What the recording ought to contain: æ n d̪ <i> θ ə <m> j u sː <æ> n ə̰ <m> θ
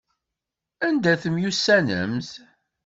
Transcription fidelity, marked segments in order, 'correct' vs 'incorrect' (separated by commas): incorrect, correct, correct, correct